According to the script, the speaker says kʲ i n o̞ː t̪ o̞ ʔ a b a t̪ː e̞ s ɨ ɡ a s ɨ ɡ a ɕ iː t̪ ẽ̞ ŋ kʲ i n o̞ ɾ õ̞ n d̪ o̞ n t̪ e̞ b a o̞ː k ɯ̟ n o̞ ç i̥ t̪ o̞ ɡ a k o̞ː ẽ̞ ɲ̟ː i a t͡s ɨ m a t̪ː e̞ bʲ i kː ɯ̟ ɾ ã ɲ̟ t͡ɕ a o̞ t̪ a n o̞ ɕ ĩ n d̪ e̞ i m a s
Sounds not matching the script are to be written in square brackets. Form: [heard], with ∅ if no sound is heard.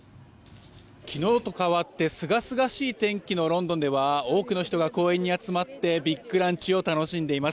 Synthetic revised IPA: kʲ i n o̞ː t̪ o̞ [k] a [β] a t̪ː e̞ s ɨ ɡ a s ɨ ɡ a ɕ iː t̪ ẽ̞ ŋ kʲ i n o̞ ɾ õ̞ n d̪ o̞ n [d̪] e̞ [β] a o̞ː k ɯ̟ n o̞ ç i̥ t̪ o̞ ɡ a k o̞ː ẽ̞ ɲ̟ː i a t͡s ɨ m a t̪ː e̞ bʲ i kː ɯ̟ ɾ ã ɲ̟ t͡ɕ [i] o̞ t̪ a n o̞ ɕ ĩ n d̪ e̞ i m a s